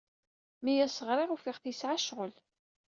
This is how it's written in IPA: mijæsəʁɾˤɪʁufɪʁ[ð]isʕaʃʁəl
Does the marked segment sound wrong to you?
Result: yes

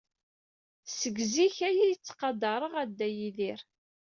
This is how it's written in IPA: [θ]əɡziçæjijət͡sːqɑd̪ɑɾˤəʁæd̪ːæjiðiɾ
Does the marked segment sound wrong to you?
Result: yes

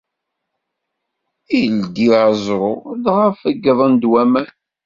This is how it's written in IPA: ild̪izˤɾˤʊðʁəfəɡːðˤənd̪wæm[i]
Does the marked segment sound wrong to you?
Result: yes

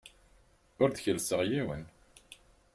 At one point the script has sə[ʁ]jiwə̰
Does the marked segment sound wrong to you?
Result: no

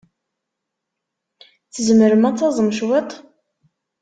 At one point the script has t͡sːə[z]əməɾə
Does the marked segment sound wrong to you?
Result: no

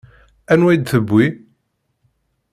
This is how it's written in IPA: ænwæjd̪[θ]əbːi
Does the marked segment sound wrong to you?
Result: no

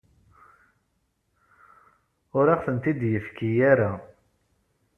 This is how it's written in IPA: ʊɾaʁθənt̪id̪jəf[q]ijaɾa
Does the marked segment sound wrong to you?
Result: yes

